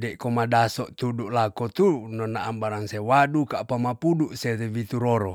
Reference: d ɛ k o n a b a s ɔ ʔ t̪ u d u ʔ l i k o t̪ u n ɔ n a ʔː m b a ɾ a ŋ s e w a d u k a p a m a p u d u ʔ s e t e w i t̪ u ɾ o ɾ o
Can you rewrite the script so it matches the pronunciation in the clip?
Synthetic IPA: d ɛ k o m a d a s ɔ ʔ t̪ u d u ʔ l a k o t̪ u n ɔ n a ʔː m b a ɾ a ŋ s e w a d u k a p a m a p u d u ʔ s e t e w i t̪ u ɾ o ɾ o